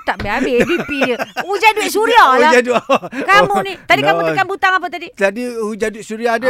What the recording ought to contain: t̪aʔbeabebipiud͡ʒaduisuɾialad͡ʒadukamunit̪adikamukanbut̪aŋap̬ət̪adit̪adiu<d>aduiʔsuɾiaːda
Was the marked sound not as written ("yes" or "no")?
yes